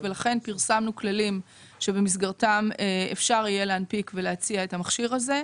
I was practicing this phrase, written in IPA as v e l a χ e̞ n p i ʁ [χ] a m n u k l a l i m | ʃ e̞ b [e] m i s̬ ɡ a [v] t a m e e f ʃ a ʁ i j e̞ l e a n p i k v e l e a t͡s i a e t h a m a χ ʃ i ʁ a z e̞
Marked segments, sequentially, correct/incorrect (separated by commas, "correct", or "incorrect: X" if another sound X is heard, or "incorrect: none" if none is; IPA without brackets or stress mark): incorrect: s, correct, incorrect: ʁ